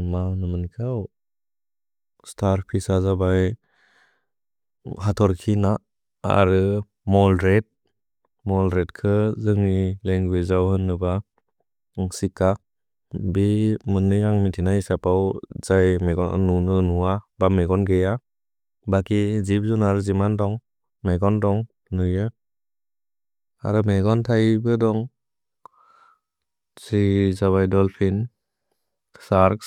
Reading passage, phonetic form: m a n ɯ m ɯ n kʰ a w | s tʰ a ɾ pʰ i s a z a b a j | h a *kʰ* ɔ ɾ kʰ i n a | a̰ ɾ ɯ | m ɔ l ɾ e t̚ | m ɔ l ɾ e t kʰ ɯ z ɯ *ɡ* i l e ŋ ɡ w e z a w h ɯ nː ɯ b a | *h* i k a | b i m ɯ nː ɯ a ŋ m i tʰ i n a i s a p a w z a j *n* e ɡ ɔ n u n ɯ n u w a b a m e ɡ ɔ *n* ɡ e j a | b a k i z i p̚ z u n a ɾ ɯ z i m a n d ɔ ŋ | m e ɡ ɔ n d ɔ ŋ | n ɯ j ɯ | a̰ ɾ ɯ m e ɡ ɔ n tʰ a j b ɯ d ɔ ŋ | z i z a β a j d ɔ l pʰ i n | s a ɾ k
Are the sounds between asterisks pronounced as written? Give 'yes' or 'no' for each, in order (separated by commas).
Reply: no, no, no, no, yes